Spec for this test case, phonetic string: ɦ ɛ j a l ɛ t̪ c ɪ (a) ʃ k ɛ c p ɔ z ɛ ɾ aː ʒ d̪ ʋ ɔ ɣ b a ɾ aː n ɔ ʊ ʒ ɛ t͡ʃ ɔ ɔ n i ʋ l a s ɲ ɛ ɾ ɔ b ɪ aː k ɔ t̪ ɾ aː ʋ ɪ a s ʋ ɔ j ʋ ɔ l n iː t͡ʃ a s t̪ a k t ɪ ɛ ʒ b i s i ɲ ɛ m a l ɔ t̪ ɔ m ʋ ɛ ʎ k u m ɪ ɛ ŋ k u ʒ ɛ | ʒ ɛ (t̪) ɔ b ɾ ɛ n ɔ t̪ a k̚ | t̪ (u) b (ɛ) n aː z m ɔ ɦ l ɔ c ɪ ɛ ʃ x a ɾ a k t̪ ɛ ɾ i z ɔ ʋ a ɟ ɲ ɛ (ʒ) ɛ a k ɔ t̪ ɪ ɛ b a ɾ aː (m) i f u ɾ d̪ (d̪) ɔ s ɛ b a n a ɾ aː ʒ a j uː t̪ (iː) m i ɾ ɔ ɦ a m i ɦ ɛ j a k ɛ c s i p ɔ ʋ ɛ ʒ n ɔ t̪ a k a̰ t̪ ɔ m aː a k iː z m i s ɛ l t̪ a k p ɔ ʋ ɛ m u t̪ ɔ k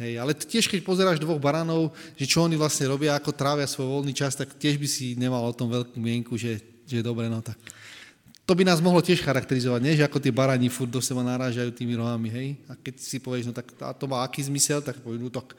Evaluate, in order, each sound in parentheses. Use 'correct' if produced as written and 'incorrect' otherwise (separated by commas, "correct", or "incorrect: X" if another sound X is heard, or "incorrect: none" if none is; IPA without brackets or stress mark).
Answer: incorrect: ɛ, incorrect: d̪, incorrect: ɔ, incorrect: i, correct, incorrect: ɲ, correct, correct